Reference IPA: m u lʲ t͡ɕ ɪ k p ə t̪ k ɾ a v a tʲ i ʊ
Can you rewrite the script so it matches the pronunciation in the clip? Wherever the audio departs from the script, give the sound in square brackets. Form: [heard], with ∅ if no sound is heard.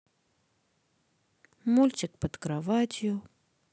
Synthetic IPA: m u lʲ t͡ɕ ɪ k p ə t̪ k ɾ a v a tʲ [j] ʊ